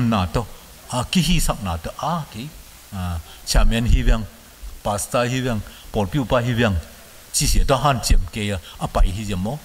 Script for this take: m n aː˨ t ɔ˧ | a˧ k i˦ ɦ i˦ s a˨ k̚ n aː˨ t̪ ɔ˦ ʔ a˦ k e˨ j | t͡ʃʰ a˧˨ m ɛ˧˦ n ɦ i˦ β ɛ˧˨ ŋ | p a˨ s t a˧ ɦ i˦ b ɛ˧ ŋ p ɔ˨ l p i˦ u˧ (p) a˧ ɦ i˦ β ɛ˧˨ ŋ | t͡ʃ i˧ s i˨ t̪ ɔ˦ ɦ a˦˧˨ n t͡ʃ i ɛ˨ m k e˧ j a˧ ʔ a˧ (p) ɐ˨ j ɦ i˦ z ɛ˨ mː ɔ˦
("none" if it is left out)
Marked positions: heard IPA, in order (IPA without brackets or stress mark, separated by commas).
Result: p, p